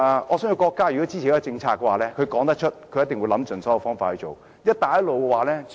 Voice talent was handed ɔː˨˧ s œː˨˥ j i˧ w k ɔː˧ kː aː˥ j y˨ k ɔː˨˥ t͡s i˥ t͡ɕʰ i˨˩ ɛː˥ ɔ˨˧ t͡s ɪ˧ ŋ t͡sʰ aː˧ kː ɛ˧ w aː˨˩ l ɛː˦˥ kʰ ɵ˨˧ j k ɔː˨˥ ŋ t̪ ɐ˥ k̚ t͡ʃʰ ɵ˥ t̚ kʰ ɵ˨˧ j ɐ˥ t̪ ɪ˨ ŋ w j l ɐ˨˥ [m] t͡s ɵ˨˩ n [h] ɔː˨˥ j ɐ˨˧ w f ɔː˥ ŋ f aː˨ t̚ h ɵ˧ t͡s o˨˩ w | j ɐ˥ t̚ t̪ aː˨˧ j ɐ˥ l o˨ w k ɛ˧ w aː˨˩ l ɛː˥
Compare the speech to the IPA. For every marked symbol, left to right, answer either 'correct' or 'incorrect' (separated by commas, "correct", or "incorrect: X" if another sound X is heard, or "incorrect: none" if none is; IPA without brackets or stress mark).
correct, incorrect: s